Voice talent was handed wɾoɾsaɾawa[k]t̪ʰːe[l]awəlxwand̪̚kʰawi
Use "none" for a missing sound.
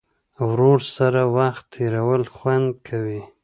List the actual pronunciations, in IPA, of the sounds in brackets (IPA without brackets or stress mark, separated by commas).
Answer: x, ɾ